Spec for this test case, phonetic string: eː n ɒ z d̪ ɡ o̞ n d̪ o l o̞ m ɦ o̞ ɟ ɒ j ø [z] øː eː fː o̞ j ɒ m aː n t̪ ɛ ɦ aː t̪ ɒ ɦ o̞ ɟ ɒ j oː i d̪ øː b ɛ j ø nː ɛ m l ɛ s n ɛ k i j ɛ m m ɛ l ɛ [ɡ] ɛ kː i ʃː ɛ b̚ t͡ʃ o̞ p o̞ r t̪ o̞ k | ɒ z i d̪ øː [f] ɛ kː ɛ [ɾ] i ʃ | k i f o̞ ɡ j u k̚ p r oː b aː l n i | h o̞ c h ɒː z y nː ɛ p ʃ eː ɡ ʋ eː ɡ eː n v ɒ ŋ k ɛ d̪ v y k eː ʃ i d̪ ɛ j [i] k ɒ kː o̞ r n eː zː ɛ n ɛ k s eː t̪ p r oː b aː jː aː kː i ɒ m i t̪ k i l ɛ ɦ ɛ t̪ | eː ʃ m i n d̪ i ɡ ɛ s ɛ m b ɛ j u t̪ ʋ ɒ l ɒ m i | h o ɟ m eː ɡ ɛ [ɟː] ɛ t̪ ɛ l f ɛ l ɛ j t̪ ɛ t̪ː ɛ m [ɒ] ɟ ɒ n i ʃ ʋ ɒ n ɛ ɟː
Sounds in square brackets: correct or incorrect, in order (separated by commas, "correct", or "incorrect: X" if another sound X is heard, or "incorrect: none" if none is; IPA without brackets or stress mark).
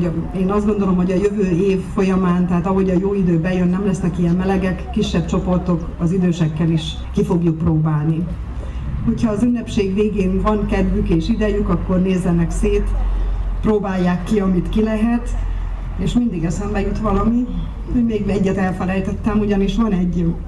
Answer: incorrect: v, correct, incorrect: ʃ, incorrect: l, incorrect: y, correct, incorrect: u